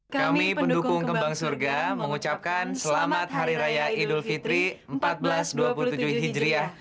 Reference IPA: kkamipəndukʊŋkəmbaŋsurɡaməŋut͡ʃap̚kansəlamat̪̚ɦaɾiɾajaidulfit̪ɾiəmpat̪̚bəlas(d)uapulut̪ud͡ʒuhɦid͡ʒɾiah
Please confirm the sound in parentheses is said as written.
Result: yes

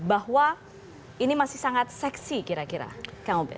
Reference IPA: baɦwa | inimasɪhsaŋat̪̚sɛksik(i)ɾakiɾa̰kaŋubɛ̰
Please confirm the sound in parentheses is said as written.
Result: yes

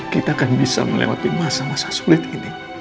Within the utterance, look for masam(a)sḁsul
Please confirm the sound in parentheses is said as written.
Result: yes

